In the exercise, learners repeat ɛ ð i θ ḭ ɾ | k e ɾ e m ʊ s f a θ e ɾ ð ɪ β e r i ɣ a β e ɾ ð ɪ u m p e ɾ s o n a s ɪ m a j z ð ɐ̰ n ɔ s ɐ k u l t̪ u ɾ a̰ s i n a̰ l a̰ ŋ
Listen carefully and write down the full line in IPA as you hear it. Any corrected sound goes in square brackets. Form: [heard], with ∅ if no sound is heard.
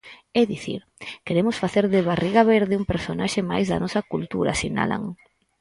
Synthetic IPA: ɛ ð i θ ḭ ɾ | k e ɾ e m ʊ s f a θ e ɾ ð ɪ β [a] r i ɣ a β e ɾ ð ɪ u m p e ɾ s o n a [ʃ] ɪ m a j z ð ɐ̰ n ɔ s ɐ k u l t̪ u ɾ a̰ s i n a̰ l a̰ ŋ